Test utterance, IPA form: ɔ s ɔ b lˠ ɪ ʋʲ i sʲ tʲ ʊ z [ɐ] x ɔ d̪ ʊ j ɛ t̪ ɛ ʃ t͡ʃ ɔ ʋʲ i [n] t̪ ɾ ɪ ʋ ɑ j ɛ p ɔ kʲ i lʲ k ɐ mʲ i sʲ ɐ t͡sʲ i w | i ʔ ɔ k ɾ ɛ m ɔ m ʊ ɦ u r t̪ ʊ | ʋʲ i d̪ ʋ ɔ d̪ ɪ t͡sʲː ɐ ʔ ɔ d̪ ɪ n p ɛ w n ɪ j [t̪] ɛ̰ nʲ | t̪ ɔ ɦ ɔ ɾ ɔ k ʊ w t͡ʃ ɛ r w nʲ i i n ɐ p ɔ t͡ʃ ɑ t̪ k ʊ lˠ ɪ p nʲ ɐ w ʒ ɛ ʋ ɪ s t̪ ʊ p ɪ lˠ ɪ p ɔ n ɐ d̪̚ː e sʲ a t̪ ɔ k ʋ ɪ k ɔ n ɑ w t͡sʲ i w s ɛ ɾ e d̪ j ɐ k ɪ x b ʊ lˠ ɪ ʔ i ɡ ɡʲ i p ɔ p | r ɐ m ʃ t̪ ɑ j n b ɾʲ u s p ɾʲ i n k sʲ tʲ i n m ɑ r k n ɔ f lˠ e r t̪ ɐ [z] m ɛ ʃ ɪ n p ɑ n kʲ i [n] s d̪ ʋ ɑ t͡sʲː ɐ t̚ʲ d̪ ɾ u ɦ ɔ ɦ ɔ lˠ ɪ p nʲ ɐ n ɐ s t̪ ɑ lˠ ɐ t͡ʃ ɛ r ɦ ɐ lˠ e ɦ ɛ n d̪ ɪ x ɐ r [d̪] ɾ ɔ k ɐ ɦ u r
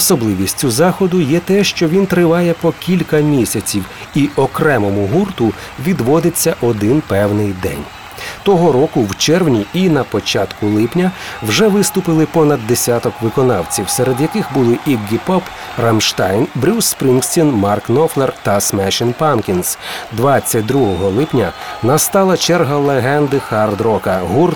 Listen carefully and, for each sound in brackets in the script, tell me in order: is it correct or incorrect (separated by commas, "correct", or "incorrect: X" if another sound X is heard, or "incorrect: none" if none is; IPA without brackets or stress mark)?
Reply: incorrect: ɑ, correct, incorrect: d̪, incorrect: s, correct, correct